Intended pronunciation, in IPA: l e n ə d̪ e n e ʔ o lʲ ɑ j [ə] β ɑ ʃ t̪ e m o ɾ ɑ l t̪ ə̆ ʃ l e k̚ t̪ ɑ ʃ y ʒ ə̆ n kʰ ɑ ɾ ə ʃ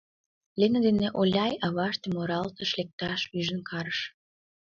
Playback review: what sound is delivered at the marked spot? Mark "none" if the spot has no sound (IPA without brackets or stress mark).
ɑ